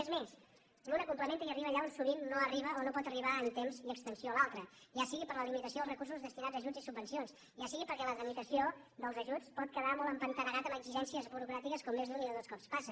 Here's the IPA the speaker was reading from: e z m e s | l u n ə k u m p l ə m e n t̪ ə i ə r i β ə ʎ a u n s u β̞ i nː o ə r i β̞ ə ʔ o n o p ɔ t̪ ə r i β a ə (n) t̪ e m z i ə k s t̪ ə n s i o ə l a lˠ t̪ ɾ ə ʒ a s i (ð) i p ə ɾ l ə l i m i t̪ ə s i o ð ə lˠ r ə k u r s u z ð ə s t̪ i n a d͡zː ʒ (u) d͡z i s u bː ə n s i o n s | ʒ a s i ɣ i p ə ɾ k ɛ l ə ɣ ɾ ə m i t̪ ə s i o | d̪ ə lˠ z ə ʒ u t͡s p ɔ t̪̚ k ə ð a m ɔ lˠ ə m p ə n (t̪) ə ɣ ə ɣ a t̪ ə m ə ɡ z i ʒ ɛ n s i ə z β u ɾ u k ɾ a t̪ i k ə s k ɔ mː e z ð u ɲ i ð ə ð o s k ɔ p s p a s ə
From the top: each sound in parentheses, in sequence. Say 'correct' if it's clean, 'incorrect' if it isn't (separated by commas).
correct, incorrect, correct, correct